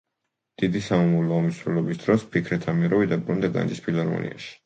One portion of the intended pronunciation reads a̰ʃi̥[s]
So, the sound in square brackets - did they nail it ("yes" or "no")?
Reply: no